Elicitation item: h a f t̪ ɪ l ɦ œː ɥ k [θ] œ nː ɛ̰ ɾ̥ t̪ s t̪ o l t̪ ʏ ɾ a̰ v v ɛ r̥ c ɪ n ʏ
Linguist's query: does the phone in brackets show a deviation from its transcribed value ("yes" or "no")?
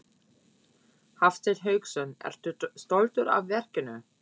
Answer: yes